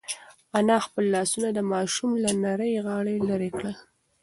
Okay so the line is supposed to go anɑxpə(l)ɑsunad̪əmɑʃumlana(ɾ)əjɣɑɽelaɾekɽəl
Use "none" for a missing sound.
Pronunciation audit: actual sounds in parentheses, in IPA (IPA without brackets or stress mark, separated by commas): lː, ɾ